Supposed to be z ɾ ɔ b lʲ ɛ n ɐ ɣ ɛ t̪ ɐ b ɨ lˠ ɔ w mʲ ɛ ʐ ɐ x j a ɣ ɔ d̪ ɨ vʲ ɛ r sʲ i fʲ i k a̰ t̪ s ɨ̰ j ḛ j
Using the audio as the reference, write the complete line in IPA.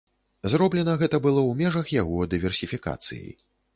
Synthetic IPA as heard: z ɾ ɔ b lʲ ɛ n ɐ ɣ ɛ t̪ ɐ b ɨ lˠ ɔ w mʲ ɛ ʐ ɐ x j a ɣ ɔ d̪ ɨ vʲ ɛ r sʲ i fʲ i k a̰ t̪ s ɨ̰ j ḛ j